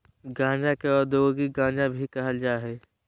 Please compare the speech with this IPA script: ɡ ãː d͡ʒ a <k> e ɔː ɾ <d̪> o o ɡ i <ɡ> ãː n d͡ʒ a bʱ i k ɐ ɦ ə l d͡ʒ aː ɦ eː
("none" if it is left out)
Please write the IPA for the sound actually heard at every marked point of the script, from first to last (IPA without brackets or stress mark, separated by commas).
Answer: k, d̪, ɡ